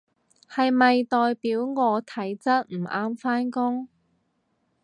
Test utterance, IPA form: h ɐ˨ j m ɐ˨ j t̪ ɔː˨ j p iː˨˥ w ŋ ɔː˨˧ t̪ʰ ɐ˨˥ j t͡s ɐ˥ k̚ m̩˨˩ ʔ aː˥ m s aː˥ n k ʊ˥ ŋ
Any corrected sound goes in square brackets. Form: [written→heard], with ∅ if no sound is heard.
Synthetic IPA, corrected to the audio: h ɐ˨ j m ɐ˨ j t̪ ɔː˨ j p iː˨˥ w ŋ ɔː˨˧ t̪ʰ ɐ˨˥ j t͡s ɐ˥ [k̚→t̚] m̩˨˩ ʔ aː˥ m [s→f] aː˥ n k ʊ˥ ŋ